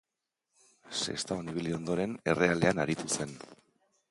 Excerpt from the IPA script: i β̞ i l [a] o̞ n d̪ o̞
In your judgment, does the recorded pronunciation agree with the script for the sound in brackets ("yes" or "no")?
no